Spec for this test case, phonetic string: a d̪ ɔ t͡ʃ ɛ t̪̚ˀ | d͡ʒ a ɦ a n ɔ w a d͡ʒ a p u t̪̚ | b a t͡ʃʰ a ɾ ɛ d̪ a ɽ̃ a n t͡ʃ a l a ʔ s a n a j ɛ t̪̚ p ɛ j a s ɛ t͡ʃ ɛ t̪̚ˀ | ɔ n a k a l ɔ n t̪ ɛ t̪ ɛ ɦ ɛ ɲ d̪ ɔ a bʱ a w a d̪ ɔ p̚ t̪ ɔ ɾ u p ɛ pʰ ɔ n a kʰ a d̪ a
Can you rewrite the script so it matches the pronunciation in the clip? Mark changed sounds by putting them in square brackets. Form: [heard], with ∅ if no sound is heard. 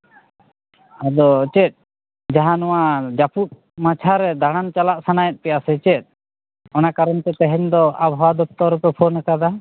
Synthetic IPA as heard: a d̪ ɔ t͡ʃ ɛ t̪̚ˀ | d͡ʒ a ɦ a n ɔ w a d͡ʒ a p u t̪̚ | [m] a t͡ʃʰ a ɾ ɛ d̪ a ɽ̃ a n t͡ʃ a l a ʔ s a n a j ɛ t̪̚ p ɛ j a s ɛ t͡ʃ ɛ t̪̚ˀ | ɔ n a k a [ɾ] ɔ n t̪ ɛ t̪ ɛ ɦ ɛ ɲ d̪ ɔ a bʱ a w a d̪ ɔ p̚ t̪ ɔ ɾ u p ɛ pʰ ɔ n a [k] a d̪ a